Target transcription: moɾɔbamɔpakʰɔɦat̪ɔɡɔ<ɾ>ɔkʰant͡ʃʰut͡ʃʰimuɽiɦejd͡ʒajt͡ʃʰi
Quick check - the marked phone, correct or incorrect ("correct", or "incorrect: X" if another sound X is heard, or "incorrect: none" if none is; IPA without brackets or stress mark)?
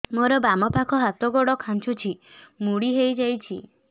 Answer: incorrect: ɽ